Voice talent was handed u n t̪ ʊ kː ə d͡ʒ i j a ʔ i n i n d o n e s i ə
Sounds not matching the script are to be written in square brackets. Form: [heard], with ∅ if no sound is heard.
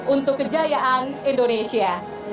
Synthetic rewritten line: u n t̪ ʊ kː ə d͡ʒ [a] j a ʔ [a] n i n d o n e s i [a]